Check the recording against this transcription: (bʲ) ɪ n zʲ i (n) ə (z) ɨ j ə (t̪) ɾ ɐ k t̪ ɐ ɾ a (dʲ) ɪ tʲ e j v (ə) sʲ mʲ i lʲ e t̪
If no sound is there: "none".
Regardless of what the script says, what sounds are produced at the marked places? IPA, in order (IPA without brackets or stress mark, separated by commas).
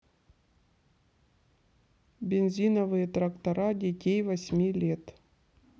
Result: bʲ, n, v, t̪, dʲ, ɐ